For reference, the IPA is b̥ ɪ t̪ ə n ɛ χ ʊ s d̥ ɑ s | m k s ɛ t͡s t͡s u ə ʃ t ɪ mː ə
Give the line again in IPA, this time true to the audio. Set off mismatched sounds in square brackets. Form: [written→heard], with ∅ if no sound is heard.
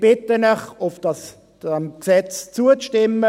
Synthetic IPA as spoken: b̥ ɪ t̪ ə n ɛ χ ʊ [s→f] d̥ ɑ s | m k s ɛ t͡s t͡s u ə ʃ t ɪ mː ə